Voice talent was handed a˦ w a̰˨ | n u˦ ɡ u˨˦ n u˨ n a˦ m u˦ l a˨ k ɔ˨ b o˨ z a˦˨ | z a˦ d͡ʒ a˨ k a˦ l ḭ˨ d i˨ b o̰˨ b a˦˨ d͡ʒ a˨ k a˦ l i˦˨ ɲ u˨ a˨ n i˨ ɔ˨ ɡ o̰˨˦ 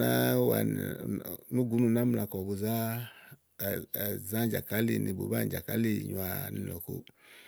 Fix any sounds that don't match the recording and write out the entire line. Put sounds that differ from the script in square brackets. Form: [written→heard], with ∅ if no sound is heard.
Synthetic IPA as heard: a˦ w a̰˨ | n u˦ ɡ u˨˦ n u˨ n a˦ m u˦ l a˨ k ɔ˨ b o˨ z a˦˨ | z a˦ d͡ʒ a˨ k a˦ l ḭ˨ [d→n] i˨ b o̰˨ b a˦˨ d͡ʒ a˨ k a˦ l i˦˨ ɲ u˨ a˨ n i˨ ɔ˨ [ɡ→k] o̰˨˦